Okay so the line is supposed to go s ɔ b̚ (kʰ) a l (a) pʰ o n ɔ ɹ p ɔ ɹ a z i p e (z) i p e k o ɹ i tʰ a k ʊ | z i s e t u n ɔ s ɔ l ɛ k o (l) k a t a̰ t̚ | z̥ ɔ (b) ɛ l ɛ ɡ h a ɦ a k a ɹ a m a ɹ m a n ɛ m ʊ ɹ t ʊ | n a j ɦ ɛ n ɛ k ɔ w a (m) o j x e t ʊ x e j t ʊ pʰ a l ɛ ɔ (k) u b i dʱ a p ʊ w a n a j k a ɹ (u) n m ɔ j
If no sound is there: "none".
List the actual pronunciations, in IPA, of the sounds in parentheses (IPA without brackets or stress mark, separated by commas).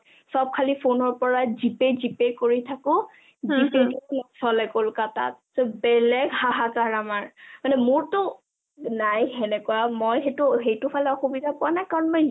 kʰ, i, z, l, b, m, x, ɔ